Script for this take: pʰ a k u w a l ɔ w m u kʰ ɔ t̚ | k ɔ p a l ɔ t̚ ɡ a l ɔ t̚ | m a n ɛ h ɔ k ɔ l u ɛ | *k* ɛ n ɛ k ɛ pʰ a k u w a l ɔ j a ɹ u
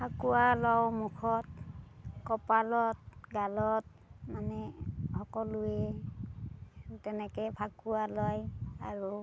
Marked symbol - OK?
no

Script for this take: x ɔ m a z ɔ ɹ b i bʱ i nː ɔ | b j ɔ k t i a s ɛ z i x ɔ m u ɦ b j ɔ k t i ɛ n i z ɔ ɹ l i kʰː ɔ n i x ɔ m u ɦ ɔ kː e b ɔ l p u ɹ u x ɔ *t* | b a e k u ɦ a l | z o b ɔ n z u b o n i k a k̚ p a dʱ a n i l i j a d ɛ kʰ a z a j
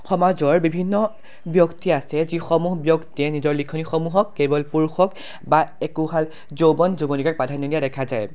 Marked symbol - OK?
no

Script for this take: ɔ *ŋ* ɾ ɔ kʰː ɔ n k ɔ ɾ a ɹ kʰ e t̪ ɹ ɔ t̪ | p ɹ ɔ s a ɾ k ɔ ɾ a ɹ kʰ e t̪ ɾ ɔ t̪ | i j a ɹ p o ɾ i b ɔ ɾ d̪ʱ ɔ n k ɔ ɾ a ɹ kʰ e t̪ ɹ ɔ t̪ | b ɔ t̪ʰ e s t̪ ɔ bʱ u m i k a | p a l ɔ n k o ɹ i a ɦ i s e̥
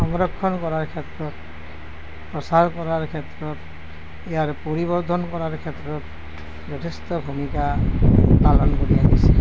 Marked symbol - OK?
yes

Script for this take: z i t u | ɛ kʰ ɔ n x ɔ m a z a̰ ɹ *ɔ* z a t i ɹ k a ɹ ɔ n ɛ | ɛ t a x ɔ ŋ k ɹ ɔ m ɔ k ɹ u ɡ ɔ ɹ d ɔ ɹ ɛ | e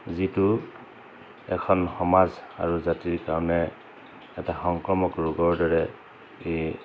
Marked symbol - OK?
no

